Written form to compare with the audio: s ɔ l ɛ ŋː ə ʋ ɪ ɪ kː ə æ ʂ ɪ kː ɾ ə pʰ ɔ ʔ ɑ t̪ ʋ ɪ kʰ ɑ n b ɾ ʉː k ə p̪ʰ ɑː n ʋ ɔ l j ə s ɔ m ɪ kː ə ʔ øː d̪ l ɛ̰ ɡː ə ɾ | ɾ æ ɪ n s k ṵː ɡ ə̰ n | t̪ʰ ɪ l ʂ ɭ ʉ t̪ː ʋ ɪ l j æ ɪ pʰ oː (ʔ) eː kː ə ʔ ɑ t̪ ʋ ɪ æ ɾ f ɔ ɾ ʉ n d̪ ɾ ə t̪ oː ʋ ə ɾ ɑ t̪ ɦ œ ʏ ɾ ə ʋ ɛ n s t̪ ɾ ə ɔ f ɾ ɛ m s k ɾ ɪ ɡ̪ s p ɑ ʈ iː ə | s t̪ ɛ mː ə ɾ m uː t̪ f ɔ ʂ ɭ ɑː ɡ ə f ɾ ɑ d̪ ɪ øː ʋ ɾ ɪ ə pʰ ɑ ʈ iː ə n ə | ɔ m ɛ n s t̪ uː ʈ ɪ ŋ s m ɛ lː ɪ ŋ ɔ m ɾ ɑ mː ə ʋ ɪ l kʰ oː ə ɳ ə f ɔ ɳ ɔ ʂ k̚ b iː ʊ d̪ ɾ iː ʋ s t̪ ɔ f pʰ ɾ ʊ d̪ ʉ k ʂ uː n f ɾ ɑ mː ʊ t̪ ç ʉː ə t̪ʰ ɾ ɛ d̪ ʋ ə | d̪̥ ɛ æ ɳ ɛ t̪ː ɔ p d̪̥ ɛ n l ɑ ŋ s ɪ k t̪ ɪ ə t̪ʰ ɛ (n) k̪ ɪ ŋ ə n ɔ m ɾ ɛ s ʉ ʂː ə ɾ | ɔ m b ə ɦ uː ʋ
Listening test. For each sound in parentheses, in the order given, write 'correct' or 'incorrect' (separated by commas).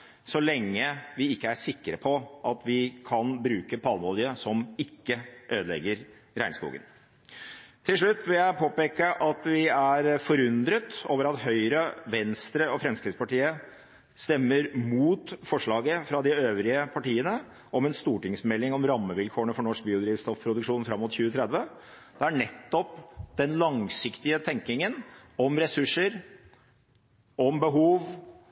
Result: incorrect, incorrect